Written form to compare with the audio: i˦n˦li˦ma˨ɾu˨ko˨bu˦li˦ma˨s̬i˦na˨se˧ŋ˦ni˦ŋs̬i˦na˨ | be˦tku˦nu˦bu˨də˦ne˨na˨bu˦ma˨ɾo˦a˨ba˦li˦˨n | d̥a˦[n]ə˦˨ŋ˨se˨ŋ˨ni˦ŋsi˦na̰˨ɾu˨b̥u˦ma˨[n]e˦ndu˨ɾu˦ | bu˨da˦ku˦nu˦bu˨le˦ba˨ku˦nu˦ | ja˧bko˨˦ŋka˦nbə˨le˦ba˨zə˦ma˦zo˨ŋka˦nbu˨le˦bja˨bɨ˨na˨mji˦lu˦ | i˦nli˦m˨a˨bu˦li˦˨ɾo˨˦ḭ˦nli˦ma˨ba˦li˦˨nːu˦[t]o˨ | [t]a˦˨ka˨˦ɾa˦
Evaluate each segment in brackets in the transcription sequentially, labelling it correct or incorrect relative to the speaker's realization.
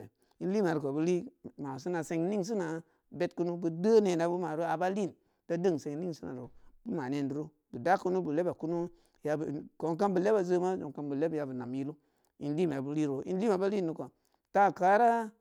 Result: incorrect: d, correct, incorrect: k, correct

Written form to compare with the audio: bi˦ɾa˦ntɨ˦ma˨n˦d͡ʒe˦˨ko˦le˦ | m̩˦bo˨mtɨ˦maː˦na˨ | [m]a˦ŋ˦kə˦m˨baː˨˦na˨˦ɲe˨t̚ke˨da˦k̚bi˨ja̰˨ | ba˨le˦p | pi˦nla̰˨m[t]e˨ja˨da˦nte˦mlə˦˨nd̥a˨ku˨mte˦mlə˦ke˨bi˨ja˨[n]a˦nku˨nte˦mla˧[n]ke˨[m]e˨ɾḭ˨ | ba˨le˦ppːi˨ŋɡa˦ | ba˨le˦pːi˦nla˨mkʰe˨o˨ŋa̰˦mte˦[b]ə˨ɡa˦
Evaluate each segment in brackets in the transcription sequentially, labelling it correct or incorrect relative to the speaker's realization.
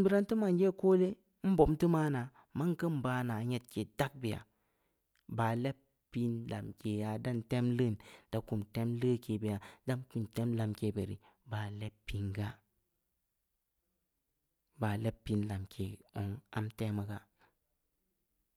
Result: correct, incorrect: k, incorrect: d, incorrect: m, incorrect: b, incorrect: m

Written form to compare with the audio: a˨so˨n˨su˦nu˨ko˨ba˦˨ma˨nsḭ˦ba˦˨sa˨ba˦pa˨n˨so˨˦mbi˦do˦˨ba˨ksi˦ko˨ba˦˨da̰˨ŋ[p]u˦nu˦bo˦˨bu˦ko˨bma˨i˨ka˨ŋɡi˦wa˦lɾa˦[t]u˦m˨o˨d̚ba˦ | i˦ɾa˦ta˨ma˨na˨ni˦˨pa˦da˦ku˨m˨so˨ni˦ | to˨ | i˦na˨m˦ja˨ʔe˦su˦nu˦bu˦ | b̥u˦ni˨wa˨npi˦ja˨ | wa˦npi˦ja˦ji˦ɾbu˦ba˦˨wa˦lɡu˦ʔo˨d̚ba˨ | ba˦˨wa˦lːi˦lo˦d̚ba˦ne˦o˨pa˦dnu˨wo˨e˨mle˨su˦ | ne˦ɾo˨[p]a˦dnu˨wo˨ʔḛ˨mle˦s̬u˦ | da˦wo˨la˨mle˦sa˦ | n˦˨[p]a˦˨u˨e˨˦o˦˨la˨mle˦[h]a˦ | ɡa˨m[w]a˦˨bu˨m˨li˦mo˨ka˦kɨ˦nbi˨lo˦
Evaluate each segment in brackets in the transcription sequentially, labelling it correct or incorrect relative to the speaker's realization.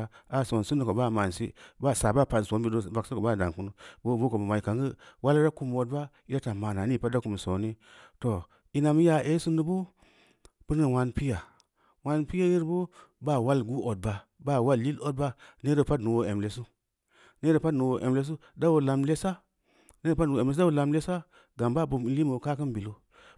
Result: incorrect: k, incorrect: k, correct, correct, incorrect: s, incorrect: b

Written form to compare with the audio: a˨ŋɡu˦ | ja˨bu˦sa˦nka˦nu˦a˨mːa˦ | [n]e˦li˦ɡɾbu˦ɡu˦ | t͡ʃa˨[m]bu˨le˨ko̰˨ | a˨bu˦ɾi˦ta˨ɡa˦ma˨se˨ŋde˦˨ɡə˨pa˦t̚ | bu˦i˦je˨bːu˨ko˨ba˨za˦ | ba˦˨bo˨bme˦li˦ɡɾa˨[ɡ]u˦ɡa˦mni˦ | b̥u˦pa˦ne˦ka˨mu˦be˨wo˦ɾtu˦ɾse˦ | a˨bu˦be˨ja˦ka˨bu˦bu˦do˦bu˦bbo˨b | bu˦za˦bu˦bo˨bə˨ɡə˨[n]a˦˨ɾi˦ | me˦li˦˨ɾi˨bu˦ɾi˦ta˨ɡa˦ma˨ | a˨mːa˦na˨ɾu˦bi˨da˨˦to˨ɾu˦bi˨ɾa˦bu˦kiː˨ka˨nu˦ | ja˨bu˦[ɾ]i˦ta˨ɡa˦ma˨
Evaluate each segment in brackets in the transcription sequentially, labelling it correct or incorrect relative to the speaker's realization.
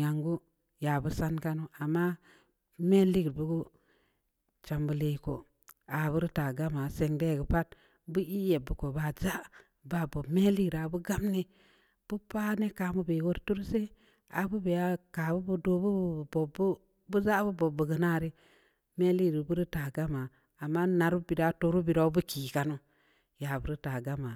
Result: incorrect: m, correct, incorrect: b, correct, correct

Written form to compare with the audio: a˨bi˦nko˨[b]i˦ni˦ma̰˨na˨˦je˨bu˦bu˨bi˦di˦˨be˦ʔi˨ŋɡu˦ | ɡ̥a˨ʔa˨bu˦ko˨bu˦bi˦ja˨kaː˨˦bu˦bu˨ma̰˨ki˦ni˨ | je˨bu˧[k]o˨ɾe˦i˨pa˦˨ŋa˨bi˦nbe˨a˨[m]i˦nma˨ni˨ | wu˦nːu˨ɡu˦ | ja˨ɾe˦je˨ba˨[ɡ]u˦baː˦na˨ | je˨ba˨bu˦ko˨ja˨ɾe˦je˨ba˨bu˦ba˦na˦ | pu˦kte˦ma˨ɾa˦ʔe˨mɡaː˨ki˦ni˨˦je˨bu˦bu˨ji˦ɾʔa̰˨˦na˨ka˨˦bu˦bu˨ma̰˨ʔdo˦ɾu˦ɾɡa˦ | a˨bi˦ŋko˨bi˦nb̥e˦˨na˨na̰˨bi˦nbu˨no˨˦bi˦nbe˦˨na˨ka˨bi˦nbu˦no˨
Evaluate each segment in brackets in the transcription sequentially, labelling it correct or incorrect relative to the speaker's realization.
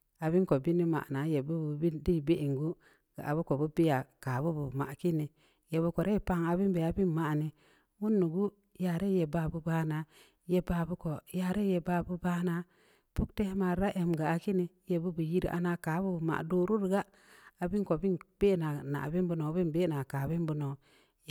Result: correct, correct, incorrect: b, incorrect: b

